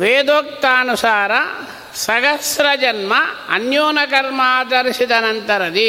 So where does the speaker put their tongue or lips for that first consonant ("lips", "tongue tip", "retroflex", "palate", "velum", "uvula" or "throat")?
lips